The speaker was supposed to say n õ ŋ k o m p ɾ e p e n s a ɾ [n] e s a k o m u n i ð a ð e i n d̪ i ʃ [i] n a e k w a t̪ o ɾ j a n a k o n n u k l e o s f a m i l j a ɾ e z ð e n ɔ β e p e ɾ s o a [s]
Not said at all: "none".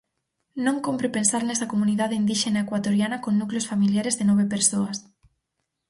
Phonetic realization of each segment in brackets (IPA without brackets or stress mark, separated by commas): n, e, s